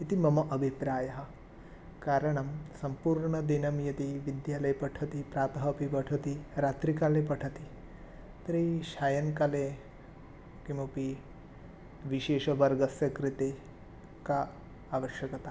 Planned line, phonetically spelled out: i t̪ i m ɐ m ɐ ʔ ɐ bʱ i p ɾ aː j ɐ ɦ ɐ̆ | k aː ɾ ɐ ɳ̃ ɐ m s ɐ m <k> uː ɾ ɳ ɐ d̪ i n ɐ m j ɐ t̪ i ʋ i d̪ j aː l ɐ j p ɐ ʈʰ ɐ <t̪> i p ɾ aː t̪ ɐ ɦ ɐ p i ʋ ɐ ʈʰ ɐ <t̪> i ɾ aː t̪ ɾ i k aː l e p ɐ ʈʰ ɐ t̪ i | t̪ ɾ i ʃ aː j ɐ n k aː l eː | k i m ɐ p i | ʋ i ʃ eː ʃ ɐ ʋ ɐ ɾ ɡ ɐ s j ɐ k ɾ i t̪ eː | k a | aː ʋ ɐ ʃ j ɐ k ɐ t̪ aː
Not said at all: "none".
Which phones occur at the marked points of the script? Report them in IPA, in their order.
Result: p, t̪, t̪

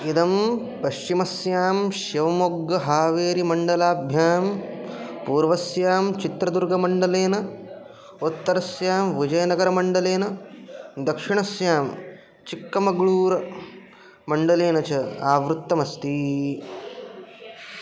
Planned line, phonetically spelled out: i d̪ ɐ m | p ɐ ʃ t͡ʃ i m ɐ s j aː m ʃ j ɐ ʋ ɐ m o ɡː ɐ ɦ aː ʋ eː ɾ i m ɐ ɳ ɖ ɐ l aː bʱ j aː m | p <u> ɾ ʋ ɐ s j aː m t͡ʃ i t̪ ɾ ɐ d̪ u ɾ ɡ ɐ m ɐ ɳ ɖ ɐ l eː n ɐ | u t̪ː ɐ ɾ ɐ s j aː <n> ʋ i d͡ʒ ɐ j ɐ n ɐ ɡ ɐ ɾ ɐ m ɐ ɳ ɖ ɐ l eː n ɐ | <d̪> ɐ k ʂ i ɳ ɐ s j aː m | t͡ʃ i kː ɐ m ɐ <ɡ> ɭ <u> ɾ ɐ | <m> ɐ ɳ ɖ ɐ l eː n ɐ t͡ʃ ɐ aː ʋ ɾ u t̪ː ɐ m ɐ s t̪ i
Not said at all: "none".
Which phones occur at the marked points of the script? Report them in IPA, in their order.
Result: uː, m, d̪, ɡ, uː, m

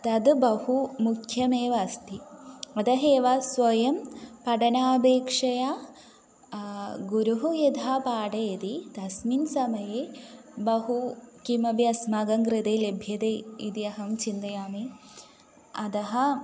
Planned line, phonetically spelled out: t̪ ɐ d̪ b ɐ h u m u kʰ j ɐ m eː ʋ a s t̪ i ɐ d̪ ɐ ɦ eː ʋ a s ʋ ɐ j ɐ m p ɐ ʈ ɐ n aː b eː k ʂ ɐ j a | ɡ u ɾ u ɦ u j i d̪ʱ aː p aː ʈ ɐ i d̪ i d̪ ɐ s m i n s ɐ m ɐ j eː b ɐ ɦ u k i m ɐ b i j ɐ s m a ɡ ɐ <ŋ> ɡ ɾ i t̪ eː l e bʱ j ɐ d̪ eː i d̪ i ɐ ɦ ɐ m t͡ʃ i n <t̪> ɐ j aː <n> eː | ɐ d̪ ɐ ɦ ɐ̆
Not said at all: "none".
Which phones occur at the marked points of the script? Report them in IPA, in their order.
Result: ŋ, d̪, m

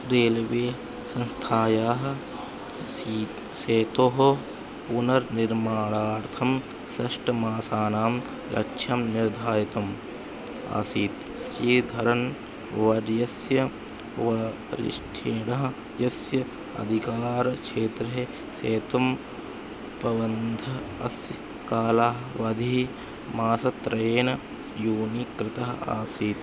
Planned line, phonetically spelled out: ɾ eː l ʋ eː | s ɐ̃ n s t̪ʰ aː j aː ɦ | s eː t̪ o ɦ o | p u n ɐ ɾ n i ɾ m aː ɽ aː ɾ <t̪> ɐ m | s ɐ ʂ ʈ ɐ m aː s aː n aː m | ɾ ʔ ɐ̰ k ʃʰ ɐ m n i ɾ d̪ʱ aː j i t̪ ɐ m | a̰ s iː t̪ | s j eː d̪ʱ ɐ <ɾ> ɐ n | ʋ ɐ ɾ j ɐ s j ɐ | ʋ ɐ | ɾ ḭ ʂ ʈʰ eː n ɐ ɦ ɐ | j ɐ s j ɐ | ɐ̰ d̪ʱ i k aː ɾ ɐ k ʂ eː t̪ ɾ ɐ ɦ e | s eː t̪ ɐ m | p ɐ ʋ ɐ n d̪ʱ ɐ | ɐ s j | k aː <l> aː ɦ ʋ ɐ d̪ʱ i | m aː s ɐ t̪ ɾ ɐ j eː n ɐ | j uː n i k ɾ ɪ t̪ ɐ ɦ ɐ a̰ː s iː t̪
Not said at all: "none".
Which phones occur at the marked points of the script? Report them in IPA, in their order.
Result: t̪ʰ, ɾ, l

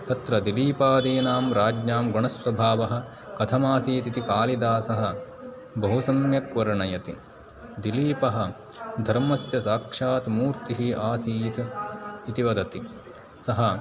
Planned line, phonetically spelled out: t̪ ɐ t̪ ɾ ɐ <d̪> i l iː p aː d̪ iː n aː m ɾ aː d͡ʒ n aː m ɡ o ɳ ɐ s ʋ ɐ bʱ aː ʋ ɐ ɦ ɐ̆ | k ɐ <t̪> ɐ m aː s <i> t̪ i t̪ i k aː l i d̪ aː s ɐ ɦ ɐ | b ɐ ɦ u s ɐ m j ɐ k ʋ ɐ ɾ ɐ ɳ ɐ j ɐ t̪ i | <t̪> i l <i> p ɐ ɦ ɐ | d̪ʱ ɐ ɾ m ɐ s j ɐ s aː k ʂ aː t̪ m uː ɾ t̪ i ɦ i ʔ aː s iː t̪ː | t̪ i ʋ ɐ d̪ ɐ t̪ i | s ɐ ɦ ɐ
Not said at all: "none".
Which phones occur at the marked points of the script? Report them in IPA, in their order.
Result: d̪, t̪ʰ, iː, d̪, iː

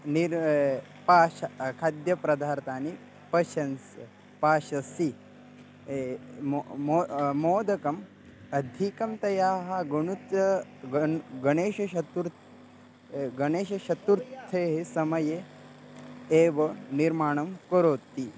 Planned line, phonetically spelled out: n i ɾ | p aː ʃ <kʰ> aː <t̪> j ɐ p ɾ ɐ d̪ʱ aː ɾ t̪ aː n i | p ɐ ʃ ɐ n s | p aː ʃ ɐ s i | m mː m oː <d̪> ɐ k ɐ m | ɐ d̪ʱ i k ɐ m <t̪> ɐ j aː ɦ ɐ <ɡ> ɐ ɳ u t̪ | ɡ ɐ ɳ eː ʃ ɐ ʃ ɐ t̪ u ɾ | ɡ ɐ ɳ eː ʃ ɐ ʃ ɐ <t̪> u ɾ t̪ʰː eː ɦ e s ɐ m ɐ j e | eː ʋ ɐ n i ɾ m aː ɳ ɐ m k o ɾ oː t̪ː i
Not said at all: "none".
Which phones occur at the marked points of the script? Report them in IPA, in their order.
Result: kʰ, d̪, d̪, t̪, ɡ, t̪

